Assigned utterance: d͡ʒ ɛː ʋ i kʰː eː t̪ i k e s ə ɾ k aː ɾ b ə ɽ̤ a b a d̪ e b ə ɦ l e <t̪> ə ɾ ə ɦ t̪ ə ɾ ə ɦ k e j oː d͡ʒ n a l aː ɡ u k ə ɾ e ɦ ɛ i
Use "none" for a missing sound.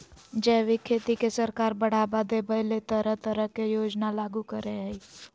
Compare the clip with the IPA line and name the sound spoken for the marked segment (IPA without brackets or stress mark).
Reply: t̪